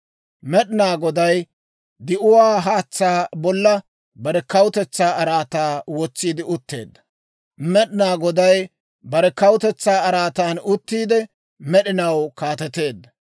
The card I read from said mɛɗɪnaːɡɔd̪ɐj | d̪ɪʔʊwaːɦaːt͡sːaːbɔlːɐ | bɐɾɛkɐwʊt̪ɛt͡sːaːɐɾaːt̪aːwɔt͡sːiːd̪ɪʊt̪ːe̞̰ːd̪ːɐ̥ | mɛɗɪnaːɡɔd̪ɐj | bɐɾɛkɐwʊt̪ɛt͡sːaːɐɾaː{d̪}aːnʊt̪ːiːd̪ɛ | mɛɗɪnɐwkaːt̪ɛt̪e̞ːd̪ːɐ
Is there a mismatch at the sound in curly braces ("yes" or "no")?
yes